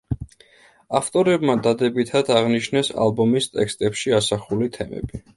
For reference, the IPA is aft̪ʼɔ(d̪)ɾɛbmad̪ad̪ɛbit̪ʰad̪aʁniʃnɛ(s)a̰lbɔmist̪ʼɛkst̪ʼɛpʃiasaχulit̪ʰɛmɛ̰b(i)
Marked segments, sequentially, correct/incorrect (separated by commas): incorrect, correct, correct